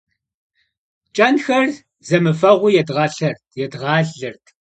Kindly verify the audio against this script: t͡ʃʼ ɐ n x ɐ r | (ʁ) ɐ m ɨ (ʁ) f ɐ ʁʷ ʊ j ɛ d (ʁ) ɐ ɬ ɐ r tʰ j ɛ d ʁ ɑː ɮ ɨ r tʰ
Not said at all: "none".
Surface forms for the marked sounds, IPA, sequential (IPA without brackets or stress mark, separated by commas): z, none, ʁ